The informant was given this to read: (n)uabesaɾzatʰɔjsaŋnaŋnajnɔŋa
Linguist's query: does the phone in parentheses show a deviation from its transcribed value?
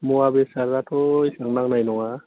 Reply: yes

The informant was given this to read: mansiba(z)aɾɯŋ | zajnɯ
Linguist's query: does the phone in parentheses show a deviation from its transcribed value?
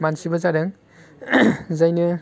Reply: no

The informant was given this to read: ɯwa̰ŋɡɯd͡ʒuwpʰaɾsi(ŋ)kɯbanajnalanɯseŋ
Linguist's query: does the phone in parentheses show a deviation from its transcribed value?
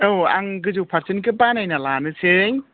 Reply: yes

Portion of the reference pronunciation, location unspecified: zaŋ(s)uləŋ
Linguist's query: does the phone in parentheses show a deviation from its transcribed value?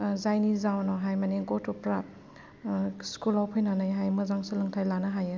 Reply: no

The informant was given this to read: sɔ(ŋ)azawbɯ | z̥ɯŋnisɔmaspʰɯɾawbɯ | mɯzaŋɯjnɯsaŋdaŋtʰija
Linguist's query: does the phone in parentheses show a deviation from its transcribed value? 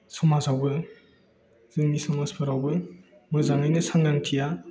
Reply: yes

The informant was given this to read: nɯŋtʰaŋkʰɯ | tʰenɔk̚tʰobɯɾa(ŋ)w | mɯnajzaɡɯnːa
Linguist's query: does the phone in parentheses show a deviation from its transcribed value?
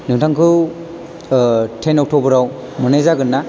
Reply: yes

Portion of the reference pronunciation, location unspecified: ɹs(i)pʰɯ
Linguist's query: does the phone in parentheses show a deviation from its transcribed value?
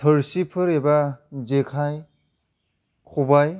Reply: no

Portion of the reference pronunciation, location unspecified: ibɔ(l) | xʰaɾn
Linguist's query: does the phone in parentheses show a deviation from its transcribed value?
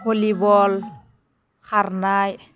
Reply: no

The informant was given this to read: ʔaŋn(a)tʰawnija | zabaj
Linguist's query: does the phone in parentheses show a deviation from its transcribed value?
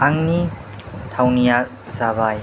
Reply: yes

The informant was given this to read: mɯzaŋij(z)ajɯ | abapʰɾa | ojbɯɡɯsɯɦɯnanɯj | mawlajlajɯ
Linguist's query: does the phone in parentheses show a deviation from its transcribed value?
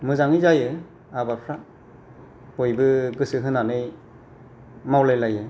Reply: no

